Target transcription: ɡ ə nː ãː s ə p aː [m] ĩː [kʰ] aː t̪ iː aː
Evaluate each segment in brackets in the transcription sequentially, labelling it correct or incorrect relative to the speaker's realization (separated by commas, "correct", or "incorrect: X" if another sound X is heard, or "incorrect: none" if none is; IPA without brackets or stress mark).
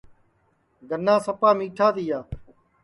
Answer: correct, incorrect: ʈʰ